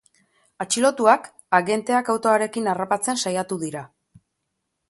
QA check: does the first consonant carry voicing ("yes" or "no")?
no